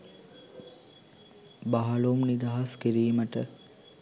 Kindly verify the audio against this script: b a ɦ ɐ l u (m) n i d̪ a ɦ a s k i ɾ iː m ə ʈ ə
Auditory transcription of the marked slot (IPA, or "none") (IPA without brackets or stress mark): m